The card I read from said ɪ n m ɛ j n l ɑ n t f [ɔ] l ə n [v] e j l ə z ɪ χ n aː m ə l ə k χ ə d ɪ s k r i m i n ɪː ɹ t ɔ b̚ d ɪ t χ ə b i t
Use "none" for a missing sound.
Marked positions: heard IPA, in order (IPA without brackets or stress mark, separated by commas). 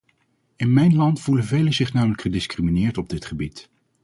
u, v